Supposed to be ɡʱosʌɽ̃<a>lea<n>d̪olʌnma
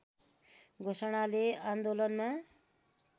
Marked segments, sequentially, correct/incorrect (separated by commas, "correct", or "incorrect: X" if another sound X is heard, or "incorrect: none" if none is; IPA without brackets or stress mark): correct, correct